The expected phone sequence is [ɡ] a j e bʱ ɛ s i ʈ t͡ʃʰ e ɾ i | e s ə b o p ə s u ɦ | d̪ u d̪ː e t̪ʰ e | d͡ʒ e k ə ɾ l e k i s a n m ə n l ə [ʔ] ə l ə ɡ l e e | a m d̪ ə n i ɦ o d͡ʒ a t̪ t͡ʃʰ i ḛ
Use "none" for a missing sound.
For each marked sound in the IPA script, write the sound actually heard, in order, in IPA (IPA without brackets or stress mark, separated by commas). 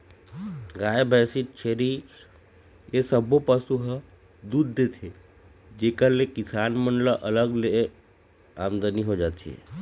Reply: ɡ, ʔ